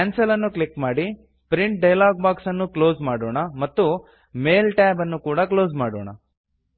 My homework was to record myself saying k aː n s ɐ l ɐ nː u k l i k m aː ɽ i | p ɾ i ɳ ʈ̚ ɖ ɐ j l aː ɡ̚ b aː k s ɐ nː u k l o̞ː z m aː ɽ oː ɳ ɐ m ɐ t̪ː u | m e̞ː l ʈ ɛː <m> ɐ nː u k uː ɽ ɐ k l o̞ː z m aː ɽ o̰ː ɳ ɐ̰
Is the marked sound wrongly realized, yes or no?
yes